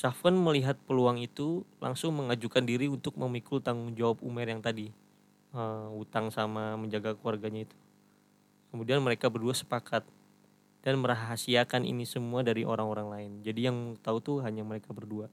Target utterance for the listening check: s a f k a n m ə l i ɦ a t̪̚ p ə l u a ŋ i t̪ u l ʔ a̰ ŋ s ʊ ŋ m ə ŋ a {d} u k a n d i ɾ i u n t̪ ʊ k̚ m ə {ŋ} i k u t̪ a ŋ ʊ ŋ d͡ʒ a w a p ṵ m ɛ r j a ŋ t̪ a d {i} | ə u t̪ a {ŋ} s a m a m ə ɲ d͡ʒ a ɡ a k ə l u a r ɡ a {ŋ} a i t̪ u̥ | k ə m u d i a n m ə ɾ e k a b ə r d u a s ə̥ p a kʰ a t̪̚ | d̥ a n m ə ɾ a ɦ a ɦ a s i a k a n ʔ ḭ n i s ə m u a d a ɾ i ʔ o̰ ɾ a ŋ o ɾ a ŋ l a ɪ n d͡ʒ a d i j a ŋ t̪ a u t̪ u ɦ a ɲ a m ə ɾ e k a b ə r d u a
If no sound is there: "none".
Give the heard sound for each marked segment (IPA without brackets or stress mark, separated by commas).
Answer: d͡ʒ, m, i, ŋ, ɲ